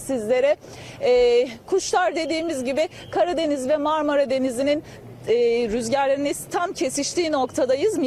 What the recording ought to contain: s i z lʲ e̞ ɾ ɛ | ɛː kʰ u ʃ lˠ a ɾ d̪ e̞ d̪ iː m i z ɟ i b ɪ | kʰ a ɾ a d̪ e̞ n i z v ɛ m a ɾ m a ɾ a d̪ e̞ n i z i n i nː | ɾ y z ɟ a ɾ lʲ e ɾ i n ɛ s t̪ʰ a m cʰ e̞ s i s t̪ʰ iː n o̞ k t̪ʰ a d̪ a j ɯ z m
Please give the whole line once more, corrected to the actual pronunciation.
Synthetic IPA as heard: s i z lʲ e̞ ɾ ɛ | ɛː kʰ u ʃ lˠ a ɾ d̪ e̞ d̪ iː m i z ɟ i b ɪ | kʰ a ɾ a d̪ e̞ n i z v ɛ m a ɾ m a ɾ a d̪ e̞ n i z i n i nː | ɾ y z ɟ æ ɾ lʲ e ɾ i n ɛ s t̪ʰ a m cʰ e̞ s i ʃ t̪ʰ iː n o̞ k t̪ʰ a d̪ a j ɯ z m